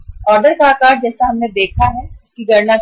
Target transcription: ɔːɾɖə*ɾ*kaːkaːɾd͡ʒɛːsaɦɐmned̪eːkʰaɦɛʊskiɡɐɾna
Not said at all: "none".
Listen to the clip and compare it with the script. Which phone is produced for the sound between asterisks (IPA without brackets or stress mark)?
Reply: ɾ